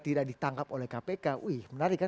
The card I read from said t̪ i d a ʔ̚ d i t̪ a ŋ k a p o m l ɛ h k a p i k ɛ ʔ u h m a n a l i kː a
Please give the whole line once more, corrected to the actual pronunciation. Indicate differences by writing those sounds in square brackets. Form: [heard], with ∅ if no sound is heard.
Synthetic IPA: t̪ i d a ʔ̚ d i t̪ a ŋ k a p o [∅] l ɛ h k a p [e] k [a] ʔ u h m [ə] n a [ɾ] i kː a